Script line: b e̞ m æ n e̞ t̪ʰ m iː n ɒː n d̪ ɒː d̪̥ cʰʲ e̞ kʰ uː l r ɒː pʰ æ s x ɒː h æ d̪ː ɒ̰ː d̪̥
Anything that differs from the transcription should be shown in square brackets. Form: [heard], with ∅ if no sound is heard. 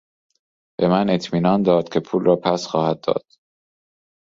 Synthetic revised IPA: b e̞ m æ n e̞ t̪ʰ m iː n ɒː n d̪ ɒː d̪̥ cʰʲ e̞ [pʰ] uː l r ɒː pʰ æ s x ɒː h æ d̪ː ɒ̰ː d̪̥